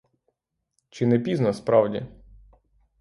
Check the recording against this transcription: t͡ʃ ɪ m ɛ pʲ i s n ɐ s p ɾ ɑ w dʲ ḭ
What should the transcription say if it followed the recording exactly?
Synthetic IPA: t͡ʃ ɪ n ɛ pʲ i z n ɐ s p ɾ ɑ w dʲ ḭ